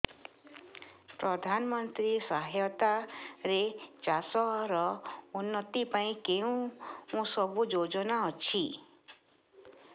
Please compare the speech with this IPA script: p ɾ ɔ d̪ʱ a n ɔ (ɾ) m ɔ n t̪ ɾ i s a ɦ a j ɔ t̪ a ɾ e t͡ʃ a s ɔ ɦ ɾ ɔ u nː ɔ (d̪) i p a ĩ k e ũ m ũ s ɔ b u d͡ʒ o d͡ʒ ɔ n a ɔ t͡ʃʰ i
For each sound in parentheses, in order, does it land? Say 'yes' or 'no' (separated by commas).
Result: no, no